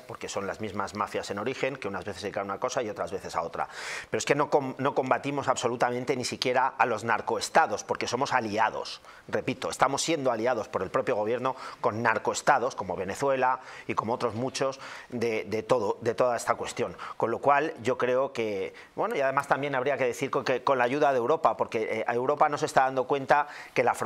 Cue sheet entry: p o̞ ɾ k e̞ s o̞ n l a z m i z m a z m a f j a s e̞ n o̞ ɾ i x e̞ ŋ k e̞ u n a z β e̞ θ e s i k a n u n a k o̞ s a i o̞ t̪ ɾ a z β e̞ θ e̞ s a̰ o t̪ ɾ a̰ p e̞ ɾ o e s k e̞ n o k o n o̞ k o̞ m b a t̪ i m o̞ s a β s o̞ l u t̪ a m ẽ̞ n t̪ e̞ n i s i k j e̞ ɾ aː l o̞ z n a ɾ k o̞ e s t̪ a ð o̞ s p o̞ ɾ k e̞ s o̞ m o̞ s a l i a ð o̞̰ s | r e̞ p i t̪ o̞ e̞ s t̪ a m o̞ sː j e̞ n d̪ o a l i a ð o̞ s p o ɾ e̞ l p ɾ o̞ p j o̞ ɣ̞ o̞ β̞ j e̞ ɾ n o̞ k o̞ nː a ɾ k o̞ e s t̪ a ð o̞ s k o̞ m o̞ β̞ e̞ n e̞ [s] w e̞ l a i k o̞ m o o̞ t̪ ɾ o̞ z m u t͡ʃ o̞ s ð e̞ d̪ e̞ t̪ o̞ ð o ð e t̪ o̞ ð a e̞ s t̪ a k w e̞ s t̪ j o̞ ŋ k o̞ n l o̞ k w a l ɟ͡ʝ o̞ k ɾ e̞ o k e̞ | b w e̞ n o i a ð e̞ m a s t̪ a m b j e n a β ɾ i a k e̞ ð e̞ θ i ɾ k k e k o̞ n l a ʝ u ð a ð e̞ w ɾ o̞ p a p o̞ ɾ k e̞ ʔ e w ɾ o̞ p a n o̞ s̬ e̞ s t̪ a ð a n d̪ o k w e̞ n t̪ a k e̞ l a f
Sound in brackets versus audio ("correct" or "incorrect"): incorrect